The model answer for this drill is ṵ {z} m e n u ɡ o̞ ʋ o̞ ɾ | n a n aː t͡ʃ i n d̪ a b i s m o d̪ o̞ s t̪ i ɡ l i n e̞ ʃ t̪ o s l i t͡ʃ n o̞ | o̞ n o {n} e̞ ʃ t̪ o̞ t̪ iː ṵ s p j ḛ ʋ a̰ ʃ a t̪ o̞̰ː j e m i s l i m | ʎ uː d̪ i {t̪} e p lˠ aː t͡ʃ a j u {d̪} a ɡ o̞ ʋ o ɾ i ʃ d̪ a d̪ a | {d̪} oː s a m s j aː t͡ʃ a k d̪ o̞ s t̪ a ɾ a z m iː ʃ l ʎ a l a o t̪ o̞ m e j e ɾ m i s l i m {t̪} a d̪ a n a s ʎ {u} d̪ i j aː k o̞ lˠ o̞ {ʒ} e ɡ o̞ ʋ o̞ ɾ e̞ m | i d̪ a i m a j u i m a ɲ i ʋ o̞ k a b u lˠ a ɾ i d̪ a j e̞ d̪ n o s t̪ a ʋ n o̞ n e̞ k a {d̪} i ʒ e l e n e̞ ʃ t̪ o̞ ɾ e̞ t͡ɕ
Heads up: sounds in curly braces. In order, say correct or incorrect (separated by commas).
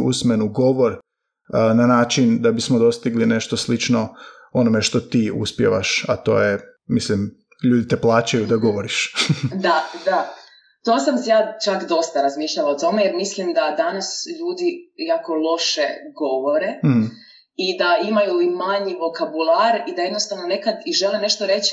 incorrect, incorrect, correct, correct, incorrect, incorrect, incorrect, incorrect, correct